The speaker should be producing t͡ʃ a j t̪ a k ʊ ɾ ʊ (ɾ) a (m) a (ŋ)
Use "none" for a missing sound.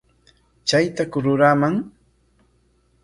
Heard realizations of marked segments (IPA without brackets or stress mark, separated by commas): ɾ, m, ŋ